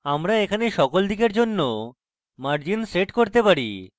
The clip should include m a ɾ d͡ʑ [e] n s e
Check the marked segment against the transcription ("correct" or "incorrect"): incorrect